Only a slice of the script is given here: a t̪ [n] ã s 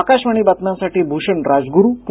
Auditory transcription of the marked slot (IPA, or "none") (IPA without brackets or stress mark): n